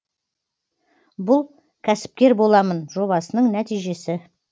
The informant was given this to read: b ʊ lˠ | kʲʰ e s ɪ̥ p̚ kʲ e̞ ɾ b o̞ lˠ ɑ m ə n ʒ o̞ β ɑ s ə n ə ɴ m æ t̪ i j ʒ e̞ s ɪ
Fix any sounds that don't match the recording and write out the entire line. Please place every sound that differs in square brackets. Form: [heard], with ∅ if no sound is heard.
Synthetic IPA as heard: b ʊ lˠ | kʲʰ [æ] s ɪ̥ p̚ kʲ e̞ ɾ b o̞ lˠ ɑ m ə n ʒ o̞ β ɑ s ə n ə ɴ [n] æ t̪ i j ʒ e̞ s ɪ